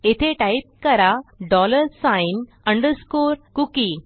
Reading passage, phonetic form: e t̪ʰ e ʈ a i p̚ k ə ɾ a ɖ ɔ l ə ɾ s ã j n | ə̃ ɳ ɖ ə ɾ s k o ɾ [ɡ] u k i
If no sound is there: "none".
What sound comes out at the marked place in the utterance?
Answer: k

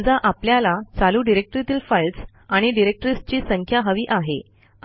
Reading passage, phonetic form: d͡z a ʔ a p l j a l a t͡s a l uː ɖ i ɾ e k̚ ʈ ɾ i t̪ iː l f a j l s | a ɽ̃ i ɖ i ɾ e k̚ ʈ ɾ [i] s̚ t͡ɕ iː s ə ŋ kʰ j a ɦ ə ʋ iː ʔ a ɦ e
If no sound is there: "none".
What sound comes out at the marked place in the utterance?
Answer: i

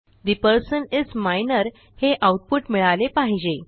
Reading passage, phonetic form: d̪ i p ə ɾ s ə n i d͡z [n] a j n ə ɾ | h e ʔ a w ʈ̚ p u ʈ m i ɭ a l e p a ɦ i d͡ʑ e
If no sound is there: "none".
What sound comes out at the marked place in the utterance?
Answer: m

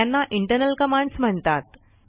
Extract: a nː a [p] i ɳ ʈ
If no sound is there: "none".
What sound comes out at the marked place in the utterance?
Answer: ʔ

